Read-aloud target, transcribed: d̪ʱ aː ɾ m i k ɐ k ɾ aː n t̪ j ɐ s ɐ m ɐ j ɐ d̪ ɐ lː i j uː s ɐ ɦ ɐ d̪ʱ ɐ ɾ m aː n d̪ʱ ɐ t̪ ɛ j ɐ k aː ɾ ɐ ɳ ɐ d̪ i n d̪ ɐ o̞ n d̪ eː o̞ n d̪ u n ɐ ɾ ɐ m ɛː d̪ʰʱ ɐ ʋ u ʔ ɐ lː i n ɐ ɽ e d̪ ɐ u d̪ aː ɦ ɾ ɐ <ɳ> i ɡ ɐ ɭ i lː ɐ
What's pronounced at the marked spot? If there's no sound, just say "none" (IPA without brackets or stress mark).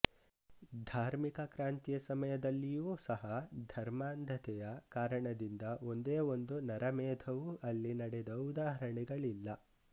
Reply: ɳ